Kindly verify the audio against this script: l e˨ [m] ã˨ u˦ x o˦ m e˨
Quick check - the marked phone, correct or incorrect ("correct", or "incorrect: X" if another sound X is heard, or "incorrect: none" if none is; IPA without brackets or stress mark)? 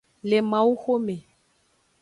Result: correct